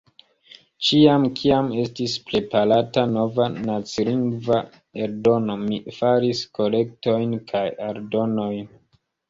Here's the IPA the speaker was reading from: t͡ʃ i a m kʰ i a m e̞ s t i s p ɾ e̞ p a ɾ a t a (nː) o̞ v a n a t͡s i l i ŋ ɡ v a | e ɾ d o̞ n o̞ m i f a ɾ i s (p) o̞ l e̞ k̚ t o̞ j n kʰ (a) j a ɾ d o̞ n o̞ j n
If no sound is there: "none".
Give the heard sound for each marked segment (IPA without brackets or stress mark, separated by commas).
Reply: n, k, a